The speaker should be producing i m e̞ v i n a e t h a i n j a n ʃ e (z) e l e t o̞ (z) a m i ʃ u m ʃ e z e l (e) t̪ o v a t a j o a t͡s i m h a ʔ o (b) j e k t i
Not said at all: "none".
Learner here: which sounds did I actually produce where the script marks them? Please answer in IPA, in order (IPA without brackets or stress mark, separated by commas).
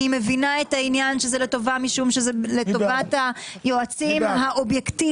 z, v, e, b